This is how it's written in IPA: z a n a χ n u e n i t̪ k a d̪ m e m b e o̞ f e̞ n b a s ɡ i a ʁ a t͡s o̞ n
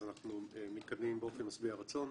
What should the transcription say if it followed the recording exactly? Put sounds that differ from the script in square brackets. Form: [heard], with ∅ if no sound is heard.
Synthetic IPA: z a n a χ n u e [m] i t̪ k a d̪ m [i] m b e o̞ f e̞ n [m] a s [b] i a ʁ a t͡s o̞ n